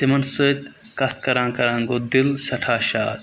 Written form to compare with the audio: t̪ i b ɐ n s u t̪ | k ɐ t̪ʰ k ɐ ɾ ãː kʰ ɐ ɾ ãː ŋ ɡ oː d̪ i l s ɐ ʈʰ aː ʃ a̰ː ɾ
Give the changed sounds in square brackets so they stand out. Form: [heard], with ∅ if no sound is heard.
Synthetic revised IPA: t̪ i [m] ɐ n s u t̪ | k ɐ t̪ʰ k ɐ ɾ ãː [k] ɐ ɾ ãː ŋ ɡ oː d̪ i l s ɐ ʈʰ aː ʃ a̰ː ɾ